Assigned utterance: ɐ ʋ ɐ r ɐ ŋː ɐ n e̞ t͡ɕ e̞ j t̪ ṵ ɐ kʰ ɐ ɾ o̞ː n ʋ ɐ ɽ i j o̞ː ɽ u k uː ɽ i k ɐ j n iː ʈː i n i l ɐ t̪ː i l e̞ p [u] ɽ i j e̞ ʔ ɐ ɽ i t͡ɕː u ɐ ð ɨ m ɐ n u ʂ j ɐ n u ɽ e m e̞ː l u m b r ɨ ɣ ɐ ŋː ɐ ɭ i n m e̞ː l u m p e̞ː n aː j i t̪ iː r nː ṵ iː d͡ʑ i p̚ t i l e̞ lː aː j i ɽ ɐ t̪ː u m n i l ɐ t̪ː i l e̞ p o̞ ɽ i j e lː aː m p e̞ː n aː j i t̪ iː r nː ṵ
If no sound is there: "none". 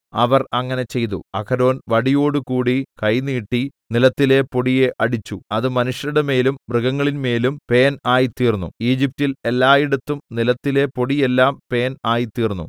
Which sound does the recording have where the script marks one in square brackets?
o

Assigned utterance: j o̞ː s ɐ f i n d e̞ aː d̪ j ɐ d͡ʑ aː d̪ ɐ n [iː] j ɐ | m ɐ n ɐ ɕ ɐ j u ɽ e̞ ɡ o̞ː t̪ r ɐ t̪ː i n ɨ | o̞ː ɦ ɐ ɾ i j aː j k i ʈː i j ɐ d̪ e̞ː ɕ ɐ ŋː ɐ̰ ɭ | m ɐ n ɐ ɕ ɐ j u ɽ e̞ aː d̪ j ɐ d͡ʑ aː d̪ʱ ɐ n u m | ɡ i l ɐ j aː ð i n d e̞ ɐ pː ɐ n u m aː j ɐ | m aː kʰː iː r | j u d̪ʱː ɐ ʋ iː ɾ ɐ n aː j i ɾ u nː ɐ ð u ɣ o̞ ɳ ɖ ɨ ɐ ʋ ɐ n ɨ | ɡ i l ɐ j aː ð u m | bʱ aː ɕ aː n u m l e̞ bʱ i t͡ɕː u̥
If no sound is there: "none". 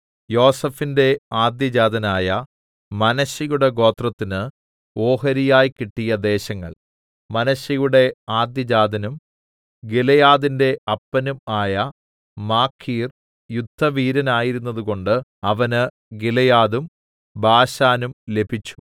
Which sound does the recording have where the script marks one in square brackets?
aː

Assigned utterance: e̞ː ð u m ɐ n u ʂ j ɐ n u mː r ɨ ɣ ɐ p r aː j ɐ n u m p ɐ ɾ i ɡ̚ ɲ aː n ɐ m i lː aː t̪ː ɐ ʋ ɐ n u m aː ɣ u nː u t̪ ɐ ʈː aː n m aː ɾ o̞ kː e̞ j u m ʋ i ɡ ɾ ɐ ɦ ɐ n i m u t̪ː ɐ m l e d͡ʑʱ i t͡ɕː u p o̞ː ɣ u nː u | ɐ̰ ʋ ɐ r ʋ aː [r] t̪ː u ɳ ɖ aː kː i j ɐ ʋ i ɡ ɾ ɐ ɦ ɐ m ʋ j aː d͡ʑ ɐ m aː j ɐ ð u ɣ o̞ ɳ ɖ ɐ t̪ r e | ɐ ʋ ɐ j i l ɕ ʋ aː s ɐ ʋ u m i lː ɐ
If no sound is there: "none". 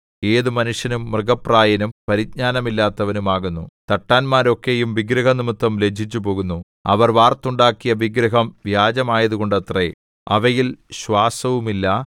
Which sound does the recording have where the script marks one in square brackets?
r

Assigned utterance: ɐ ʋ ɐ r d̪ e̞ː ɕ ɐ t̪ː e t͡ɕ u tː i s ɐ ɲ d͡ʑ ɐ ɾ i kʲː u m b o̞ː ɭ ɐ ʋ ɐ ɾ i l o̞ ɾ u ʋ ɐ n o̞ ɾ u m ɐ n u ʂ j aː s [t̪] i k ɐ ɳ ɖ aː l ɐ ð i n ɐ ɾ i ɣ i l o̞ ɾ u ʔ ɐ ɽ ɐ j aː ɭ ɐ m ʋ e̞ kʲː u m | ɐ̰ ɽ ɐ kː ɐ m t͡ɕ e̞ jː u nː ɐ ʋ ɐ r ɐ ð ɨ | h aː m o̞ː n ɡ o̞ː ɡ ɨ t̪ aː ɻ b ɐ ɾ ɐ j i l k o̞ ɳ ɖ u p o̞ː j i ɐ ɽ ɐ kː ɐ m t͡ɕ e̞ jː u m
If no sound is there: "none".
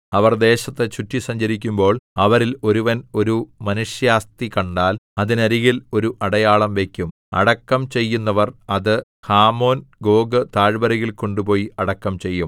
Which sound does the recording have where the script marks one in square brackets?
t̪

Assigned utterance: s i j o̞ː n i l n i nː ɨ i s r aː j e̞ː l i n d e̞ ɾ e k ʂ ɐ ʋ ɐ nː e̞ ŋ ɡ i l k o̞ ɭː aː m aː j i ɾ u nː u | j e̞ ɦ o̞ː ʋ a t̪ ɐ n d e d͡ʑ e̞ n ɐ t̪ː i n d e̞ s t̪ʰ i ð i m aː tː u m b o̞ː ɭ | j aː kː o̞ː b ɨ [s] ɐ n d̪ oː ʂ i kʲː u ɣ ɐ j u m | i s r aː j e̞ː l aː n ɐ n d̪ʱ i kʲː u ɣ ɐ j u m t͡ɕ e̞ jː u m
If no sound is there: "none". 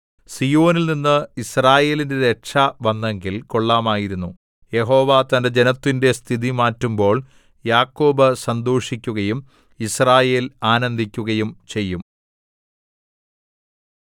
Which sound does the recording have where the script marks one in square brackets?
s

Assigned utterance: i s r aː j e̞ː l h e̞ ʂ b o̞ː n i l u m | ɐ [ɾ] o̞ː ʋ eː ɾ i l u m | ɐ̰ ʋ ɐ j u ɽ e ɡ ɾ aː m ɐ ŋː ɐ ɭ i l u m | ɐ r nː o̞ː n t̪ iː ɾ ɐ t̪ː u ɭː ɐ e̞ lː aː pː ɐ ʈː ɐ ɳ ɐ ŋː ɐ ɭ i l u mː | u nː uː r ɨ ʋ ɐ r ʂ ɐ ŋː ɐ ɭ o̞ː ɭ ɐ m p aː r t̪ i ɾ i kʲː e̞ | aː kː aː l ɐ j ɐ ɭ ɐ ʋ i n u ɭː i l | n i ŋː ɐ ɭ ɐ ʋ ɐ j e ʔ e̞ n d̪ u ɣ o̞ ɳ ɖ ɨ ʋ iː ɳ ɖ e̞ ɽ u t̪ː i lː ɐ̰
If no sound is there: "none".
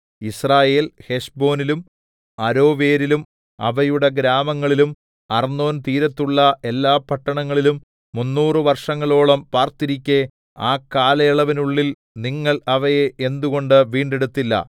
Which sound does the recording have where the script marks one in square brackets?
ɾ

